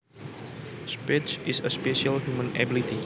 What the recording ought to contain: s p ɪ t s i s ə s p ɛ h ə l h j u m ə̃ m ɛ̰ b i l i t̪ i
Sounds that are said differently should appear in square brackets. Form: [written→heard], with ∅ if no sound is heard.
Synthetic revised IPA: s p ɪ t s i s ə s p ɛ [h→ʃ] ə l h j u m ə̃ [m→n] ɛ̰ b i l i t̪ i